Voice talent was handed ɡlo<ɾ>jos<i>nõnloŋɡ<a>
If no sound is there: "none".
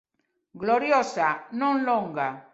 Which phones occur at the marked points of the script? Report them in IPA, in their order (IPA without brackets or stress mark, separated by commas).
ɾ, a, a